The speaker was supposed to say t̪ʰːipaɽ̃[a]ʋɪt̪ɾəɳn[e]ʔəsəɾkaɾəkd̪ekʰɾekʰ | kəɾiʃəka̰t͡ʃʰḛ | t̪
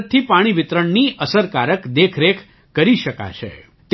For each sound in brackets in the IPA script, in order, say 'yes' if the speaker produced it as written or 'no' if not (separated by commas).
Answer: no, no